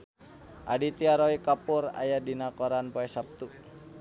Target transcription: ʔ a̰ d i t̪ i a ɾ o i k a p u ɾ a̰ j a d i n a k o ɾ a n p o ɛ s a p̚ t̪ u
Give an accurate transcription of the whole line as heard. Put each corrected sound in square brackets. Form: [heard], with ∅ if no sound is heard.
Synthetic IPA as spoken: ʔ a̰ d i t̪ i a ɾ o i k a p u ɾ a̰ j a d i n a k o ɾ a n p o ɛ s a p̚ t̪ u